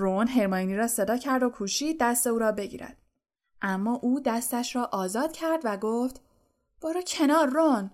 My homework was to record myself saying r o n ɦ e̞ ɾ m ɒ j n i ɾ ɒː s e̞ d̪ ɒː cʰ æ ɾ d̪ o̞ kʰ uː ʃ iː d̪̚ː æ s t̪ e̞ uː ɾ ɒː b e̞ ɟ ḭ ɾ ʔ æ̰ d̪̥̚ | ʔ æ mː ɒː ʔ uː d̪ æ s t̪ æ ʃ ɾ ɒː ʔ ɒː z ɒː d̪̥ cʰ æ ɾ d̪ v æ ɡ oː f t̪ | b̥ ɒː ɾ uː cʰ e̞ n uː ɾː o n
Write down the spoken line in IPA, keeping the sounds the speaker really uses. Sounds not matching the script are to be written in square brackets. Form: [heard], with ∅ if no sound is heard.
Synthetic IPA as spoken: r o n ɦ e̞ ɾ m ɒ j n i ɾ ɒː s e̞ d̪ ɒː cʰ æ ɾ d̪ o̞ kʰ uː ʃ iː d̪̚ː æ s t̪ e̞ uː ɾ ɒː b e̞ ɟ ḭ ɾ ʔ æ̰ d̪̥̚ | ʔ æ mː ɒː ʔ uː d̪ æ s t̪ æ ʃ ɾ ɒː ʔ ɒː z ɒː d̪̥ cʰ æ ɾ d̪ v æ ɡ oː f t̪ | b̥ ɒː ɾ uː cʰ e̞ n [ɒː] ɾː o n